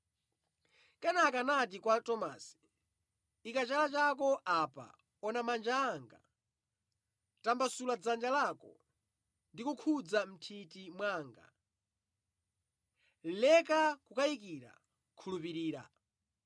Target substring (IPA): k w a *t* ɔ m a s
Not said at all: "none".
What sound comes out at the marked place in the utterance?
t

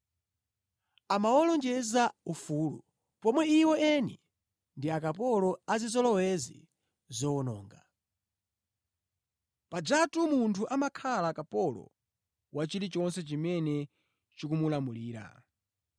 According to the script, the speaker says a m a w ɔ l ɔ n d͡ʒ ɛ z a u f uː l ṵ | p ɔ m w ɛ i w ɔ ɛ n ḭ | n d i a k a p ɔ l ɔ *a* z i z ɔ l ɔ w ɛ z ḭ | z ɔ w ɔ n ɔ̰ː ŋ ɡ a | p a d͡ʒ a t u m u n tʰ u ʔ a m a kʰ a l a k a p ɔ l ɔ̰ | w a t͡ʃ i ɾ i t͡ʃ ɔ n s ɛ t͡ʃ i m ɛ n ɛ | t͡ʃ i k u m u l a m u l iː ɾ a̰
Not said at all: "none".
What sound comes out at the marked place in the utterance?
a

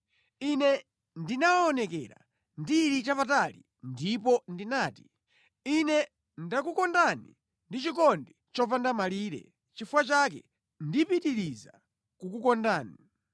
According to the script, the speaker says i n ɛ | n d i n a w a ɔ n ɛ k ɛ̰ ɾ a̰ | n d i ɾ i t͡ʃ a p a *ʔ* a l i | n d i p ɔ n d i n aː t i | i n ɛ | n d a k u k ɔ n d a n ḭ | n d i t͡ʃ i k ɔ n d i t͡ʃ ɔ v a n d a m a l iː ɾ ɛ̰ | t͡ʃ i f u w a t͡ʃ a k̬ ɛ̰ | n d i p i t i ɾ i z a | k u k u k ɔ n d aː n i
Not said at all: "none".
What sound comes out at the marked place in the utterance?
t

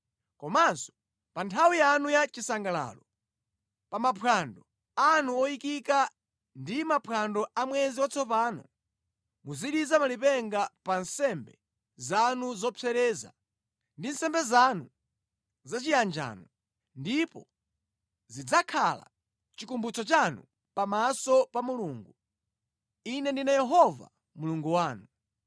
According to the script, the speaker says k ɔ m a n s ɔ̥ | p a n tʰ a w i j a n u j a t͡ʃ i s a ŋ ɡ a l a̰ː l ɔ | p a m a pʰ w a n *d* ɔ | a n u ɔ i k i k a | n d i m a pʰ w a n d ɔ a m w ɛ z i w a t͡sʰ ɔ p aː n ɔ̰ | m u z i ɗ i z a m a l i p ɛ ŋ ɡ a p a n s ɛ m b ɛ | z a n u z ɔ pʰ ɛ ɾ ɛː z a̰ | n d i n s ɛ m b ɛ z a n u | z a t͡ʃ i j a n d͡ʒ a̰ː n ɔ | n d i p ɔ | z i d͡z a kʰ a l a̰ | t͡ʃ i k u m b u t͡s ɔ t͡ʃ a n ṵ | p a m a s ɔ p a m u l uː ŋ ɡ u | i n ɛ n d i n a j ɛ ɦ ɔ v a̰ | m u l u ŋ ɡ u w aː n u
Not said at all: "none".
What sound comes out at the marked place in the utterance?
d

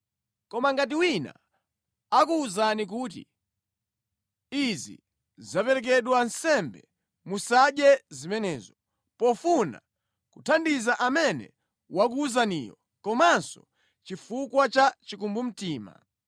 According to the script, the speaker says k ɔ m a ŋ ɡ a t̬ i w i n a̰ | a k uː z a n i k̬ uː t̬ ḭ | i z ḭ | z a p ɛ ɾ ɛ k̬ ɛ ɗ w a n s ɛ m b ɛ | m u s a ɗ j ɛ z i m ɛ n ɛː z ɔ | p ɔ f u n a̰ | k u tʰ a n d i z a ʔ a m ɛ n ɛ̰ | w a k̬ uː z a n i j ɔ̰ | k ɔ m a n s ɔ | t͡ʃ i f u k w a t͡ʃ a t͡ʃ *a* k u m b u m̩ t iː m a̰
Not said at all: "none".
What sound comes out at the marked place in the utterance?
i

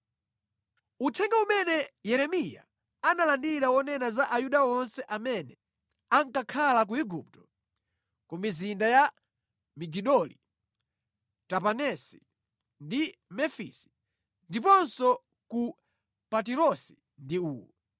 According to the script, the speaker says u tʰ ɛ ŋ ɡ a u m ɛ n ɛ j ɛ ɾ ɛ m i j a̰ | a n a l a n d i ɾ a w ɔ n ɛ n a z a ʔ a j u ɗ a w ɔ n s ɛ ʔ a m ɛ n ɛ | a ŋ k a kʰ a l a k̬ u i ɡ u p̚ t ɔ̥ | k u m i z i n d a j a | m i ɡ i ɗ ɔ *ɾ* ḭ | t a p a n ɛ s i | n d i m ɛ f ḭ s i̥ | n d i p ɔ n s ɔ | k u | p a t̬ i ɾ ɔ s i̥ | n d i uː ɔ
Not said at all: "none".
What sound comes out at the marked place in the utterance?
l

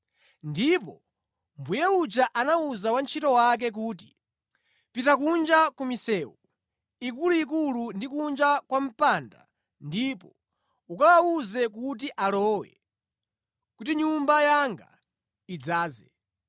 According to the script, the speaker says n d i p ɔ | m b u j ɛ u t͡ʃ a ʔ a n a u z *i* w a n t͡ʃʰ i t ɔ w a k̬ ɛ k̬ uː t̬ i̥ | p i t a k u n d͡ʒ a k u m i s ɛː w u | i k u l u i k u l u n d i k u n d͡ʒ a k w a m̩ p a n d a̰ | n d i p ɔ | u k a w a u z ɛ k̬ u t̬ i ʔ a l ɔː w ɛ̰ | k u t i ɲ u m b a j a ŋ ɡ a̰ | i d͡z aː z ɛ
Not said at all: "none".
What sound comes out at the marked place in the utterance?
a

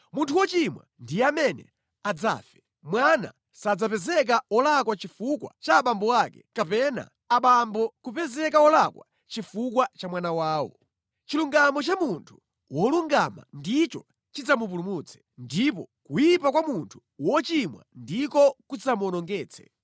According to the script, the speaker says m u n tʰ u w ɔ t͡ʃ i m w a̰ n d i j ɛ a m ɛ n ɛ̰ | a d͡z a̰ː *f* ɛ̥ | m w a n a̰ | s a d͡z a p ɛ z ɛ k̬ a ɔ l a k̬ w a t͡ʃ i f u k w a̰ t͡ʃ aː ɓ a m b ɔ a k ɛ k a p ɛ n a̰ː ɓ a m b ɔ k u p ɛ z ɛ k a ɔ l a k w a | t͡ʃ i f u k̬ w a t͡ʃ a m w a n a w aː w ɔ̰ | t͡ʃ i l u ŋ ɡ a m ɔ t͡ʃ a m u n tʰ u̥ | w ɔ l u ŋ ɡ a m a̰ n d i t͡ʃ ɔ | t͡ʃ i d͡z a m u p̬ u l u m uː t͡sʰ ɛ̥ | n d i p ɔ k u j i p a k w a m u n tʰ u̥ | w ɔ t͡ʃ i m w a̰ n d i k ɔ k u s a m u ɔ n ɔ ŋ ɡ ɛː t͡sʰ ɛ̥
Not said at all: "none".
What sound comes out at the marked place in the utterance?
f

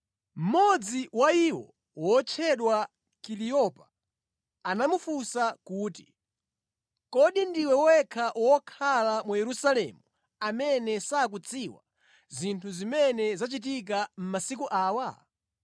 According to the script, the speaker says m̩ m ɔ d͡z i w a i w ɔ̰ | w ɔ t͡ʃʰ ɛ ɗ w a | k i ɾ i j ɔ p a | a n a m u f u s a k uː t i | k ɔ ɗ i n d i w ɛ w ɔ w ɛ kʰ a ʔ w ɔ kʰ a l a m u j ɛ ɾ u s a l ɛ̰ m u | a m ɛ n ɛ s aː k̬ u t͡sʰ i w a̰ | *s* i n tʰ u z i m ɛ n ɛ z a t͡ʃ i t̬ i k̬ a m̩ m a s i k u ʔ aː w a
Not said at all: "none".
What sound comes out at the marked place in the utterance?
z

